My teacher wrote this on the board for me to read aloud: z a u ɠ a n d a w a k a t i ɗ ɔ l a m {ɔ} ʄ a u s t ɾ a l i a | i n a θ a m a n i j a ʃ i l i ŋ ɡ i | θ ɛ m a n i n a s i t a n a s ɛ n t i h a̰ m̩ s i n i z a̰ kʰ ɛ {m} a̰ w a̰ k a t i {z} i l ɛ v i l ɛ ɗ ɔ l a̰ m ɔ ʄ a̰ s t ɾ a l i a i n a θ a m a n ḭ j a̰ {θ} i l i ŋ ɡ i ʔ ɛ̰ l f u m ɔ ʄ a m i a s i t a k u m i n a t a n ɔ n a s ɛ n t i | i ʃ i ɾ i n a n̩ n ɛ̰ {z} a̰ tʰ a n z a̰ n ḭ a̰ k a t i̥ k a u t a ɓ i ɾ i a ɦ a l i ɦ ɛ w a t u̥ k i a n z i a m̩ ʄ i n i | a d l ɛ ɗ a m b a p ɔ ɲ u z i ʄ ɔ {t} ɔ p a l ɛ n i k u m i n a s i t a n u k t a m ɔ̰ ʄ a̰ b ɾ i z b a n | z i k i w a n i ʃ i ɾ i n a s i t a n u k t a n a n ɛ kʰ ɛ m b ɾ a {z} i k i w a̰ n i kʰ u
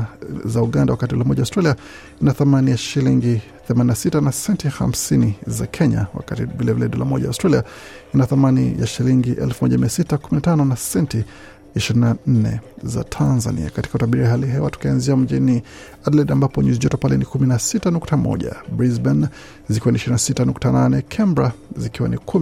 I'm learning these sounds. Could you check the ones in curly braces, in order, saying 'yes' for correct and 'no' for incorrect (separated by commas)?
yes, no, no, no, yes, yes, yes